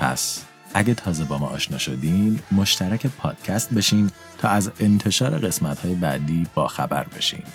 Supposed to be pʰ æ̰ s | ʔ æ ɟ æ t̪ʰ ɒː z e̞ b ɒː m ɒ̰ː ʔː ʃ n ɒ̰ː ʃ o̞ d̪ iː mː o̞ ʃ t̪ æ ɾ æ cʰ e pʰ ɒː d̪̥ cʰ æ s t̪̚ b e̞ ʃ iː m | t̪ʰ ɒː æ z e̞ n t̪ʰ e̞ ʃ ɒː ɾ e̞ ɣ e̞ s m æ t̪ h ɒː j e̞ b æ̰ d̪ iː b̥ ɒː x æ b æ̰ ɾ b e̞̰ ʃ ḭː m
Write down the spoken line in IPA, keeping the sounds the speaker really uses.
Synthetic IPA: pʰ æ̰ s | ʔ æ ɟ e t̪ʰ ɒː z e̞ b ɒː m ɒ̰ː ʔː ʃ n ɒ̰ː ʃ o̞ d̪ iː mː o̞ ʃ t̪ æ ɾ æ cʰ e pʰ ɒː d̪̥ cʰ æ s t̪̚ b e̞ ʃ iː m | t̪ʰ ɒː æ z e̞ n t̪ʰ e̞ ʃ ɒː ɾ e̞ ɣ e̞ s m æ t̪ h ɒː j e̞ b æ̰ d̪ iː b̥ ɒː x æ b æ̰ ɾ b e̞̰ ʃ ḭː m